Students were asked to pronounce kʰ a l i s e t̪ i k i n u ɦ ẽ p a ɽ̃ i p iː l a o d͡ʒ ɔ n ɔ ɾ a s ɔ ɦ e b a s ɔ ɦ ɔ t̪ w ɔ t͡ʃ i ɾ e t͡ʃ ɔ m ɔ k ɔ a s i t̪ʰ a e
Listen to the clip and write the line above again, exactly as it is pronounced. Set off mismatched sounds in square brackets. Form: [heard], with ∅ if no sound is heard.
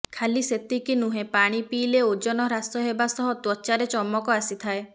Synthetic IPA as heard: kʰ a l i s e t̪ i k i n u ɦ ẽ p a ɽ̃ i p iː l [e] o d͡ʒ ɔ n ɔ ɾ a s ɔ ɦ e b a s ɔ ɦ ɔ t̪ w ɔ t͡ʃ [a] ɾ e t͡ʃ ɔ m ɔ k ɔ a s i t̪ʰ a e